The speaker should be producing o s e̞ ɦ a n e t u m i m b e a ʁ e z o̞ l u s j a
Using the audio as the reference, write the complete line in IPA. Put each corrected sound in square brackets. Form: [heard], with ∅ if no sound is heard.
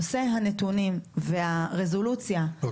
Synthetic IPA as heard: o s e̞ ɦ a n e t u [n] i m [v] e a ʁ e z o̞ l u [t͡s] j a